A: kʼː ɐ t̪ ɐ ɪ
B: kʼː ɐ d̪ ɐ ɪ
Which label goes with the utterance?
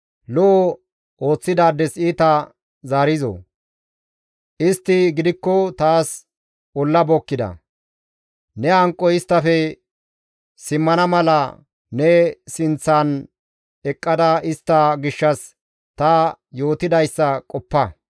B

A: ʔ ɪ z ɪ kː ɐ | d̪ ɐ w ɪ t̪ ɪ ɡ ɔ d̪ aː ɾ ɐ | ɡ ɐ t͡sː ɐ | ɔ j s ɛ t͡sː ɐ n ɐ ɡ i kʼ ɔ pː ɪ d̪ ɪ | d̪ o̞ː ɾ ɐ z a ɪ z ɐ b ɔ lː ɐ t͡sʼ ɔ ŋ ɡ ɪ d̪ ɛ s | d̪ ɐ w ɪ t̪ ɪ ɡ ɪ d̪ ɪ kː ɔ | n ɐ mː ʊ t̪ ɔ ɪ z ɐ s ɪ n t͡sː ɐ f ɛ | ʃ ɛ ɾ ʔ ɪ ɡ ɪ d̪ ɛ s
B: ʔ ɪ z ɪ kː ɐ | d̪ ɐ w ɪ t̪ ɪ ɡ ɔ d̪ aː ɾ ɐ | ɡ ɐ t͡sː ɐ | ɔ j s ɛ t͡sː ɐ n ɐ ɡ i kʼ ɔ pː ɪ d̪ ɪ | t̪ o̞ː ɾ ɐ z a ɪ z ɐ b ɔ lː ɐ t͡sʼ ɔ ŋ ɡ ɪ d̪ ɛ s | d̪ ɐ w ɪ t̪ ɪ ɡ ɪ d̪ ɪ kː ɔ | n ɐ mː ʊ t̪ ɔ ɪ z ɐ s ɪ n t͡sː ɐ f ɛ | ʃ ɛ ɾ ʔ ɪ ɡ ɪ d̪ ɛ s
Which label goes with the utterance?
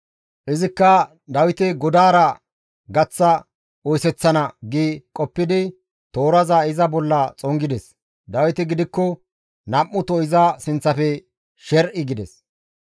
B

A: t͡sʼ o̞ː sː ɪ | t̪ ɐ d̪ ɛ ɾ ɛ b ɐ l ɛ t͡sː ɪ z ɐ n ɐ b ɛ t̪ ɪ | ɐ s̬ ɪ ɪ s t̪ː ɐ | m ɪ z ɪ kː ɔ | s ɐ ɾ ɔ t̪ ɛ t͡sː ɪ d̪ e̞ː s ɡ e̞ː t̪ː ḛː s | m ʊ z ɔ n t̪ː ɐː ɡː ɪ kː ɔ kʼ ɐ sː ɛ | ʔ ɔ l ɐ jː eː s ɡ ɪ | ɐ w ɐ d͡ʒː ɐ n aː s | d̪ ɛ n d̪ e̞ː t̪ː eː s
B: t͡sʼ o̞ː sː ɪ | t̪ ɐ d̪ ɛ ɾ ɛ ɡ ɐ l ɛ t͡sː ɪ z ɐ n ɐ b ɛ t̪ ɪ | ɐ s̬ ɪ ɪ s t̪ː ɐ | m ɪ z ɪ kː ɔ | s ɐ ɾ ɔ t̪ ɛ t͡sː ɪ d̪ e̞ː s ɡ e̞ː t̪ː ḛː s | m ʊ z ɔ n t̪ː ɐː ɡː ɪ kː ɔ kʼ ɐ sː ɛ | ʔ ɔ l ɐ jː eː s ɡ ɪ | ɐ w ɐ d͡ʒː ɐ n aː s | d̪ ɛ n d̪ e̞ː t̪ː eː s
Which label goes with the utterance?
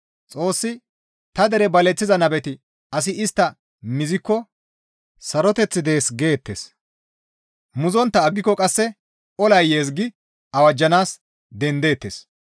A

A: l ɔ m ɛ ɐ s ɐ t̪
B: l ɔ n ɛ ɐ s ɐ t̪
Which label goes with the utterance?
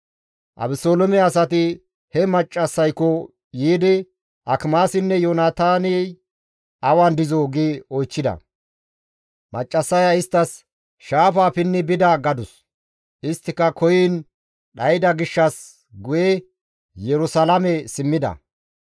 A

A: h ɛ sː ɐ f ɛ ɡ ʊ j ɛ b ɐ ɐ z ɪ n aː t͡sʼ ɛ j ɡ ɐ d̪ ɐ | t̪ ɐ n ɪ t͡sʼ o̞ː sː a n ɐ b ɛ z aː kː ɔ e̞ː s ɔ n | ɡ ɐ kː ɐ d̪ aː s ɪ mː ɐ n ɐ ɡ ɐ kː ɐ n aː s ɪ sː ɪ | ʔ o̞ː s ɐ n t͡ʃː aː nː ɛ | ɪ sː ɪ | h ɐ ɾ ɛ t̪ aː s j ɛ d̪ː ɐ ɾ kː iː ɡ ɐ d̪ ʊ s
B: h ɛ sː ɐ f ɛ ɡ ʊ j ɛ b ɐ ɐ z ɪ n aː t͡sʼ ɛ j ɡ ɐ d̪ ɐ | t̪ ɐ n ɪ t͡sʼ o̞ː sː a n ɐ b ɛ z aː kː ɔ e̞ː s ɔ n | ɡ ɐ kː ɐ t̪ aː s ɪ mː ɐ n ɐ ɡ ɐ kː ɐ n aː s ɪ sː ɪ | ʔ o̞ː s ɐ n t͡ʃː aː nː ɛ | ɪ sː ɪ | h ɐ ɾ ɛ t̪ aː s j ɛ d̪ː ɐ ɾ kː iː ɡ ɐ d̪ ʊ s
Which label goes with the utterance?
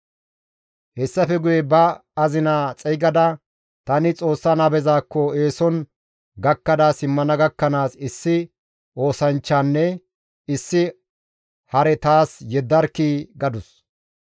A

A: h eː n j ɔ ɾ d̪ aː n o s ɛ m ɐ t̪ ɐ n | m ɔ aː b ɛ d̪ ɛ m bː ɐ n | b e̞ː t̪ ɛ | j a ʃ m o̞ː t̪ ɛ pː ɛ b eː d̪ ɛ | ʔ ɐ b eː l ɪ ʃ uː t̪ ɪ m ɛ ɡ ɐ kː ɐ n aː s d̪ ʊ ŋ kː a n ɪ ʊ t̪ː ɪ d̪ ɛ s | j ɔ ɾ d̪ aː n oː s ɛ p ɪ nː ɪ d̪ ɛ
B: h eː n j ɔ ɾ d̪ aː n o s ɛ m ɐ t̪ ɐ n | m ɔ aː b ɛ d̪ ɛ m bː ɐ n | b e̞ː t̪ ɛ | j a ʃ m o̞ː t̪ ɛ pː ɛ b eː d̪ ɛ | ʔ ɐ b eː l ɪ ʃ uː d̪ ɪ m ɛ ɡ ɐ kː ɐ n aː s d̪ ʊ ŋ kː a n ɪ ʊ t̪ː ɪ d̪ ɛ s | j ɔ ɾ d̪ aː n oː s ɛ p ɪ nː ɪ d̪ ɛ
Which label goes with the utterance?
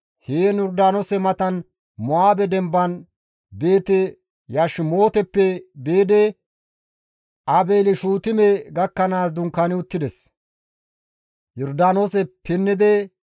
A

